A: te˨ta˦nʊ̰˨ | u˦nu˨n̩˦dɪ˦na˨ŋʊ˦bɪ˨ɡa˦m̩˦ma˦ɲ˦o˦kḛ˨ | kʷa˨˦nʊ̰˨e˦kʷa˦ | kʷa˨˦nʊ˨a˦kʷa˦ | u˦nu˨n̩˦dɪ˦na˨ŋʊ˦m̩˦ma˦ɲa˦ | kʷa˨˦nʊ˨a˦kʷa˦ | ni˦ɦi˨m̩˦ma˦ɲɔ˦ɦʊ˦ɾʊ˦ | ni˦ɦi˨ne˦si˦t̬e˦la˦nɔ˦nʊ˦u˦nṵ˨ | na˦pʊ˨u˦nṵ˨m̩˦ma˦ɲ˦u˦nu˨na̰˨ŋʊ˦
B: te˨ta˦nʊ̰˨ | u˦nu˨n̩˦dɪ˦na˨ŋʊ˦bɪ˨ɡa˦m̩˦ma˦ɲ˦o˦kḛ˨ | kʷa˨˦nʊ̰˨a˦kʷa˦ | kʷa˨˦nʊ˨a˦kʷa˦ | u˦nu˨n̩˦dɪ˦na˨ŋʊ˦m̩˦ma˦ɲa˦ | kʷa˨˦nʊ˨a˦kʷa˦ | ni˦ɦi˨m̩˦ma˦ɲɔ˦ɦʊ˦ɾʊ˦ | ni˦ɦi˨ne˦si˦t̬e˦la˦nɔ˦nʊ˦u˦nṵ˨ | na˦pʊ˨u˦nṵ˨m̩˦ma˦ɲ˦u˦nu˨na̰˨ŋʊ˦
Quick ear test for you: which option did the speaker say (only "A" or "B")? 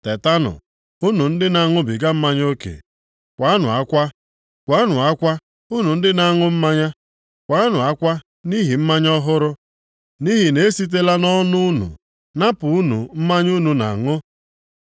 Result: B